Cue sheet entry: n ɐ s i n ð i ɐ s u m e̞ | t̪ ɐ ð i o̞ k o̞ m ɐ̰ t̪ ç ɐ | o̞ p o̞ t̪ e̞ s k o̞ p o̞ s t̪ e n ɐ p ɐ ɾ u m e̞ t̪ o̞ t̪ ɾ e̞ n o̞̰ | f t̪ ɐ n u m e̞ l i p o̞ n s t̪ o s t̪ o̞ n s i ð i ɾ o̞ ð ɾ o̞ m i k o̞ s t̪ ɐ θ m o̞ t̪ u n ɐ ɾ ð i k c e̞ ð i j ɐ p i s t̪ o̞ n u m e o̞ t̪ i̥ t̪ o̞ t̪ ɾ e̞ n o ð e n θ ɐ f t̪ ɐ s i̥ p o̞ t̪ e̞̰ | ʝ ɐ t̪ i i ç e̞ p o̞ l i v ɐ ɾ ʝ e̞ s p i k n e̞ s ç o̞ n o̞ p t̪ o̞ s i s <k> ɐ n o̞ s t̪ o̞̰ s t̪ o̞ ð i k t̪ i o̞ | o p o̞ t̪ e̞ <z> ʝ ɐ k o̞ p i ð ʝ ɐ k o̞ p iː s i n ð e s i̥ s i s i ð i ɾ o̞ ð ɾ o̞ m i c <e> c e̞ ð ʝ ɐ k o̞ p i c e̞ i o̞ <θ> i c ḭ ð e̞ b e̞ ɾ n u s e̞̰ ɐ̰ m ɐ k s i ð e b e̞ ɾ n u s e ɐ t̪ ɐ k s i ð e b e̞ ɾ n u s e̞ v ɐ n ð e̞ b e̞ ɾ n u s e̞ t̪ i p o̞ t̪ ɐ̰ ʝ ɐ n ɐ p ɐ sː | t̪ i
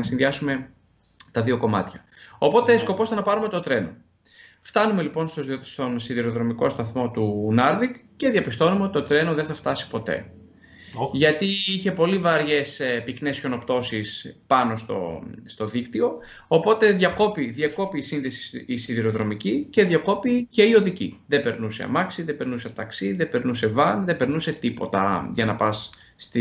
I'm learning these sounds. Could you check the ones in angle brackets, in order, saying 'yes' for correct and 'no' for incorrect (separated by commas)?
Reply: no, no, no, no